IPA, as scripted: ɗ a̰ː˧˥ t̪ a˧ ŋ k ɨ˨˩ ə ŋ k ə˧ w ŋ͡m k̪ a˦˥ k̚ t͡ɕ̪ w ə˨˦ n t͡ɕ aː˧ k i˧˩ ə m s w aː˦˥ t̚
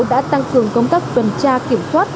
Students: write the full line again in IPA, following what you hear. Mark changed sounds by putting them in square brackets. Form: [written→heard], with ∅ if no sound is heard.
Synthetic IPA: ɗ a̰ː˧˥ t̪ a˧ ŋ k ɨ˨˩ ə ŋ k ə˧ w ŋ͡m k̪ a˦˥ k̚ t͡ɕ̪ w [ə˨˦→ə˨˩] n t͡ɕ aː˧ k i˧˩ ə m s w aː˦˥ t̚